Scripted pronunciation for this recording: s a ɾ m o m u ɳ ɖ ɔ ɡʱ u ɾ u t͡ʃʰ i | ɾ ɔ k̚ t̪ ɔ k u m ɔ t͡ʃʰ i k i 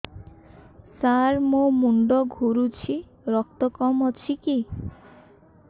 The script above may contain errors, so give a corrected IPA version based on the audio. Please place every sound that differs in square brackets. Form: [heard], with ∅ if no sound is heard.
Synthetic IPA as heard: s a ɾ m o m u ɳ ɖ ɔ ɡʱ u ɾ u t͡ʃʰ i | ɾ ɔ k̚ t̪ ɔ k [ɔ] m ɔ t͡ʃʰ i k i

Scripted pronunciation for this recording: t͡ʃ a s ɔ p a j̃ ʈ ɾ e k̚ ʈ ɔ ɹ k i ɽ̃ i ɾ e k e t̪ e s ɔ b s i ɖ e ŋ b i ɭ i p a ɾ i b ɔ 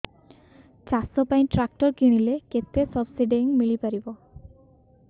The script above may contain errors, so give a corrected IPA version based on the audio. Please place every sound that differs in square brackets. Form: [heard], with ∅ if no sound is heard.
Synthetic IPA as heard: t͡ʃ a s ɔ p a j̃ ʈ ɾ [a] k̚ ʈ ɔ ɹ k i ɽ̃ i [l] e k e t̪ e s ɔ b s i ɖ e ŋ [m] i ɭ i p a ɾ i b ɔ

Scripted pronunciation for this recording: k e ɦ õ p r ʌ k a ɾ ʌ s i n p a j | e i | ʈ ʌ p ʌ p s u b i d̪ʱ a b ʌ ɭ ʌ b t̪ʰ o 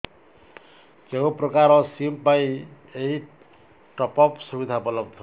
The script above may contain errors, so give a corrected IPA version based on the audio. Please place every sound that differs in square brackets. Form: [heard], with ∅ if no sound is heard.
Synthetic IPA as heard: k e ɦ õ p r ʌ k a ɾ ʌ s i [m] p a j | e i | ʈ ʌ p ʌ p s u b i d̪ʱ a b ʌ [l] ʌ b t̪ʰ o

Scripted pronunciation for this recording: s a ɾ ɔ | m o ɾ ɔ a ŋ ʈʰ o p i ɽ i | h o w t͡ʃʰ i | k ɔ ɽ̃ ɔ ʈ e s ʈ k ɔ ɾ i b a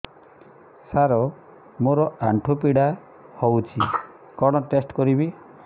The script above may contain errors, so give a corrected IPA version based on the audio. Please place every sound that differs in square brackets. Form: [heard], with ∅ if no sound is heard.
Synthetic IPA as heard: s a ɾ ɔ | m o ɾ ɔ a [ɳ] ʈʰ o p i ɽ [a] | h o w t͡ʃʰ i | k ɔ ɽ̃ ɔ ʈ e s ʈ k ɔ ɾ i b [i]

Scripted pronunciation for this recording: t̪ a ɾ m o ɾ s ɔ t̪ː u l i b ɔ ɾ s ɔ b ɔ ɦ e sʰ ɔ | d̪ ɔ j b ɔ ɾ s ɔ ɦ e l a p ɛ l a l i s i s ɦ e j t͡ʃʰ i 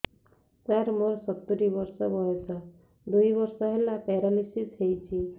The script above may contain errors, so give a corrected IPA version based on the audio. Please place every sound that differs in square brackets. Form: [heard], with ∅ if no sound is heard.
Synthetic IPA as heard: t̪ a ɾ m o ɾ s ɔ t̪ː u [ɾ] i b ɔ ɾ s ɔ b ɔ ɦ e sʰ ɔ | d̪ [u] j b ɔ ɾ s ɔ ɦ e l a p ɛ [ɾ] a l i s i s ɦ e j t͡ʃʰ i

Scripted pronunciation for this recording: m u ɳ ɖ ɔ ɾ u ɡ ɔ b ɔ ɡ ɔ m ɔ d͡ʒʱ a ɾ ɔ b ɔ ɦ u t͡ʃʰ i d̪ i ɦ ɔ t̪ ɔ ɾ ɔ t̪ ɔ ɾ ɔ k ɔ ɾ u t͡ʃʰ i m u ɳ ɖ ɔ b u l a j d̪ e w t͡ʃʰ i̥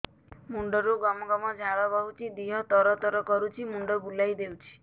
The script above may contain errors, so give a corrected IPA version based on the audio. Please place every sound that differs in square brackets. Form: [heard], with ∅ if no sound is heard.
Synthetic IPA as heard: m u ɳ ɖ ɔ ɾ u ɡ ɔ [m] ɔ ɡ ɔ m ɔ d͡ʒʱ a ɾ ɔ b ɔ ɦ u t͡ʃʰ i d̪ i ɦ ɔ t̪ ɔ ɾ ɔ t̪ ɔ ɾ ɔ k ɔ ɾ u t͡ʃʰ i m u ɳ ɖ ɔ b u l a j d̪ e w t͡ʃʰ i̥

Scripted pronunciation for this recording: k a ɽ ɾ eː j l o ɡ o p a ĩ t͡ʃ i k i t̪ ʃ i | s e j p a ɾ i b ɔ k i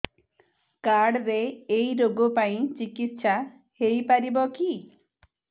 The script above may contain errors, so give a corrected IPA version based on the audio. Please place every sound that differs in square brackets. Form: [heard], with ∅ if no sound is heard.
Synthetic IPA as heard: k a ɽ ɾ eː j [ɾ] o ɡ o p a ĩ t͡ʃ i k i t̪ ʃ [a] | [h] e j p a ɾ i b ɔ k i

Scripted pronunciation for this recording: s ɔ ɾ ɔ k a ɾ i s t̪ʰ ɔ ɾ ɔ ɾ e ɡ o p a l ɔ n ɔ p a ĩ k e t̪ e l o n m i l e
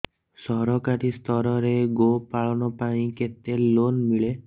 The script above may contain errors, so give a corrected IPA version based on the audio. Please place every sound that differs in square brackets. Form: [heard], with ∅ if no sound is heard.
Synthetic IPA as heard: s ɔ ɾ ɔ k a ɾ i s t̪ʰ ɔ ɾ ɔ ɾ e ɡ o p a [ɭ] ɔ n ɔ p a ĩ k e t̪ e l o n m i [ɭ] e

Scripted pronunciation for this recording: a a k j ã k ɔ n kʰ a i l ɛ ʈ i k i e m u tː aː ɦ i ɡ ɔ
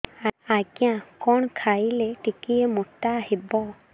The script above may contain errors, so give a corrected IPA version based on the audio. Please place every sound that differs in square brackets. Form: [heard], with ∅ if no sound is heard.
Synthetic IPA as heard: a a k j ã k ɔ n kʰ a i l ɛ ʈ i k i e m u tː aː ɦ i [b] ɔ

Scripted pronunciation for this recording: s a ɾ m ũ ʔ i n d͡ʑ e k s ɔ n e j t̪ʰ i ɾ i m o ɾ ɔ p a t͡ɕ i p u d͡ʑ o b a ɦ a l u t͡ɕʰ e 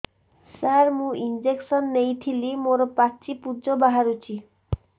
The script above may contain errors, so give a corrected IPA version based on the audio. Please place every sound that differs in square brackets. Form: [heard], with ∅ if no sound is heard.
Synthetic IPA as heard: s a ɾ m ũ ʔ i n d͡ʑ e k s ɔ [nː] e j t̪ʰ i [l] i m o ɾ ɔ p a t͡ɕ i p u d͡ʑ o b a ɦ a [ɾ] u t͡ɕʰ [i]

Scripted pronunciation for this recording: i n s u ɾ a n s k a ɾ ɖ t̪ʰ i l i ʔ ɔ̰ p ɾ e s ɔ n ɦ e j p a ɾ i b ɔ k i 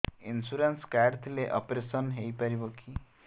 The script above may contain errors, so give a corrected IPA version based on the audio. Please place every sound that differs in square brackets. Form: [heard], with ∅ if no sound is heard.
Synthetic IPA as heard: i n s u ɾ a n s k a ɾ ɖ t̪ʰ i l [e] ʔ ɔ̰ p ɾ e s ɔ n ɦ e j p a ɾ i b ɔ k i

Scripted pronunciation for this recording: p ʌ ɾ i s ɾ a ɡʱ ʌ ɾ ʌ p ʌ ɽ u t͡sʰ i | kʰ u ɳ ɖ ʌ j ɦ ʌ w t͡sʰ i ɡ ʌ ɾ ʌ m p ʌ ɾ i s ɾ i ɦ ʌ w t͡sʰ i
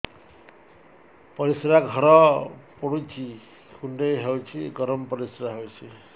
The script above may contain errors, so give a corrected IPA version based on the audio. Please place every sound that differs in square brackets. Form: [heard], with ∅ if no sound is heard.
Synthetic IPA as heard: p ʌ ɾ i s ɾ a ɡʱ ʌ ɾ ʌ p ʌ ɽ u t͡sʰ i | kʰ u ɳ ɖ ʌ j ɦ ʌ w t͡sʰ i ɡ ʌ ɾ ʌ m p ʌ ɾ i s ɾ [a] ɦ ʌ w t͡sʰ i

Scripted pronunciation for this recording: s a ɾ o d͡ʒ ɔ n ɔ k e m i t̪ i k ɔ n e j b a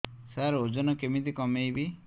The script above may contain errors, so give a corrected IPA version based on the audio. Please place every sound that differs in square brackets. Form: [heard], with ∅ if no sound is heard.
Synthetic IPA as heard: s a ɾ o d͡ʒ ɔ n ɔ k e m i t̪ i k ɔ [m] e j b [i]

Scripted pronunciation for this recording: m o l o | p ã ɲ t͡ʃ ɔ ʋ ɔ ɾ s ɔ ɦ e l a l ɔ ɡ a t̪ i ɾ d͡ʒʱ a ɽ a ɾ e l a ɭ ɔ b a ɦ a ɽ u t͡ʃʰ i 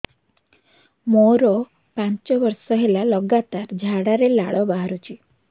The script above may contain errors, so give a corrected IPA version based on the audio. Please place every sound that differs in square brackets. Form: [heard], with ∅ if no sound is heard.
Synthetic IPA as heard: m o [ɾ] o | p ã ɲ t͡ʃ ɔ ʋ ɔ ɾ s ɔ ɦ e l a l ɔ ɡ a t̪ [a] ɾ d͡ʒʱ a ɽ a ɾ e l a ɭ ɔ b a ɦ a [ɾ] u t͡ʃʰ i

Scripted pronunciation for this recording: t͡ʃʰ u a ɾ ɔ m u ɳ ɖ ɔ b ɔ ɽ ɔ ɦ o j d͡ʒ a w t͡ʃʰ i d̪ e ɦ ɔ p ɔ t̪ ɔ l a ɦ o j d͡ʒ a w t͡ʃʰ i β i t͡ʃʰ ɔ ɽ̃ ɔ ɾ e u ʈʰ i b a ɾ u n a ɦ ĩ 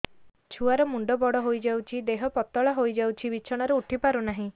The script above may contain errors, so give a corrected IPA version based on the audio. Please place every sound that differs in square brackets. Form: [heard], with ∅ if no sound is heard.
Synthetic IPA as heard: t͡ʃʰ u a ɾ ɔ m u ɳ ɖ ɔ b ɔ ɽ ɔ ɦ o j d͡ʒ a w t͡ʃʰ i d̪ e ɦ ɔ p ɔ t̪ ɔ [ɭ] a ɦ o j d͡ʒ a w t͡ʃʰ i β i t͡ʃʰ ɔ ɽ̃ ɔ ɾ e u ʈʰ i [p] a ɾ u n a ɦ ĩ

